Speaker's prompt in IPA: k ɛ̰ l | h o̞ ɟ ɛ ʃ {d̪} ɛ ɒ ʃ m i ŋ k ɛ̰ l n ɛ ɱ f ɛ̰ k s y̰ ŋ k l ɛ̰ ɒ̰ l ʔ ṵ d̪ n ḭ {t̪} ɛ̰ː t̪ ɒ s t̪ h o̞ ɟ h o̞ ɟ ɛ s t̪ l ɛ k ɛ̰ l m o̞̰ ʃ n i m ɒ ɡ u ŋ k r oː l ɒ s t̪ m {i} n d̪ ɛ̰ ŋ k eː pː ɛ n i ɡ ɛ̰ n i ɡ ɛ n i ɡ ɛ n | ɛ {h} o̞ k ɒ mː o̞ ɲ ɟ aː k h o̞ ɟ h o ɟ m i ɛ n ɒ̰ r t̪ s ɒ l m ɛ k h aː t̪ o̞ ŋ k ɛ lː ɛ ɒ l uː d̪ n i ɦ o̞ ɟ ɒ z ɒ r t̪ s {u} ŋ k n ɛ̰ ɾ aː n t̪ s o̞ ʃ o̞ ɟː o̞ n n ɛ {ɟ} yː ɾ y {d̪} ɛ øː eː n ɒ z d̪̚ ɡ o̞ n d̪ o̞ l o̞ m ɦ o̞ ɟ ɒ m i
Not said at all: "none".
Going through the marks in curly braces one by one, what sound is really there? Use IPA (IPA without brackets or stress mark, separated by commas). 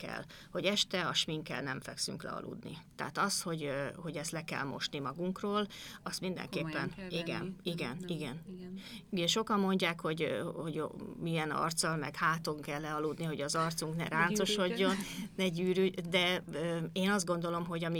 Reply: t̪, t̪, i, ʃ, u, ɟ, d̪